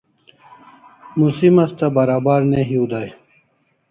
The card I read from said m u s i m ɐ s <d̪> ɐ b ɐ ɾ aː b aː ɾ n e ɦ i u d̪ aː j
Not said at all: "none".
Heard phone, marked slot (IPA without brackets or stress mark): t̪